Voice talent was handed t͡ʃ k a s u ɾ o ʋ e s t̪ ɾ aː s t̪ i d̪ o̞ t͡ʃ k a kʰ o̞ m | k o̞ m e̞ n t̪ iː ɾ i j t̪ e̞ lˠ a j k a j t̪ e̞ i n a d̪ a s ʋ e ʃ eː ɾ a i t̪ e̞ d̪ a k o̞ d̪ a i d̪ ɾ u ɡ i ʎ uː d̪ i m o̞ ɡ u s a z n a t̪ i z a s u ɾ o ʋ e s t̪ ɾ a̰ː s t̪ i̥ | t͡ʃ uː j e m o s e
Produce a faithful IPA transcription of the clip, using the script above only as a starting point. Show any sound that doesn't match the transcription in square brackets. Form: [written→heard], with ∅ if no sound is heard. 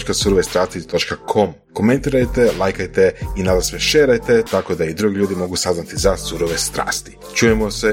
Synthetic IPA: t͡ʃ k a s u ɾ o ʋ e s t̪ ɾ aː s t̪ i [d̪→t̪] o̞ t͡ʃ k a kʰ o̞ m | k o̞ m e̞ n t̪ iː ɾ [i→a] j t̪ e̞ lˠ a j k a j t̪ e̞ i n a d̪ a s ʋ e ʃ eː ɾ a [i→j] t̪ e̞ [d̪→t̪] a k o̞ d̪ a i d̪ ɾ u ɡ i ʎ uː d̪ i m o̞ ɡ u s a z n a t̪ i z a s u ɾ o ʋ e s t̪ ɾ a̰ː s t̪ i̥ | t͡ʃ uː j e m o s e